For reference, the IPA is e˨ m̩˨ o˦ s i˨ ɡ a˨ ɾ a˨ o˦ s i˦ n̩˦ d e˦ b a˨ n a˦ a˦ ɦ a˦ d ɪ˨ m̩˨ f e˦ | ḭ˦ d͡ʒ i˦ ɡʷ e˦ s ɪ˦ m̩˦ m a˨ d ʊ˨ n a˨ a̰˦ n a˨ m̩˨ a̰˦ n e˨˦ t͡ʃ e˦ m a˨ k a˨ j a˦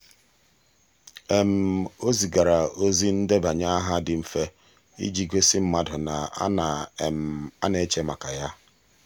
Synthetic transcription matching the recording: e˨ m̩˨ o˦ z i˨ ɡ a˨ ɾ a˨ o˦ z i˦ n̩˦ d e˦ b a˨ ɲ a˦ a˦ ɦ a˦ d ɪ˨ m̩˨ f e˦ | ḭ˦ d͡ʒ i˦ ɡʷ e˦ s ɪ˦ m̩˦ m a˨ d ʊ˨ n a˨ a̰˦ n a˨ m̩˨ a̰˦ n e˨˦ t͡ʃ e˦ m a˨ k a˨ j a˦